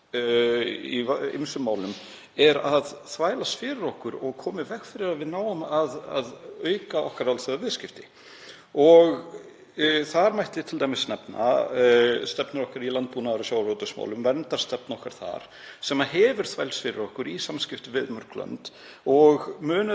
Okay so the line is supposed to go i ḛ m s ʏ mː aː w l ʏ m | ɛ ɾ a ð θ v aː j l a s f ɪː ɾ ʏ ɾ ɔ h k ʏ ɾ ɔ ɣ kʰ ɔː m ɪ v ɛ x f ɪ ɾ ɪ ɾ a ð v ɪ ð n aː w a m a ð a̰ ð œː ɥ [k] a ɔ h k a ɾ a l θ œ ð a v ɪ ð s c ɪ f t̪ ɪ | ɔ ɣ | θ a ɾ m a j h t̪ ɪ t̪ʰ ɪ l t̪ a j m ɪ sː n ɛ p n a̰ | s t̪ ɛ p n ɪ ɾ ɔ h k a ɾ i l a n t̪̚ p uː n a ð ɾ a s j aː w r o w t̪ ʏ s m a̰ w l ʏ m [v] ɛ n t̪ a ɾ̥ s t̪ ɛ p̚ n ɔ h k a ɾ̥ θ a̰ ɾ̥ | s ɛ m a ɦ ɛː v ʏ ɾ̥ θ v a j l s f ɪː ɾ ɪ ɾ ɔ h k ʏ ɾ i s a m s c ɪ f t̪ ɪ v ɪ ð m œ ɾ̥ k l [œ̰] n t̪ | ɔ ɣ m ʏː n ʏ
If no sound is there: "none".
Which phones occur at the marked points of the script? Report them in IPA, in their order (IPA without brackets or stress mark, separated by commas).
k, v, œ̰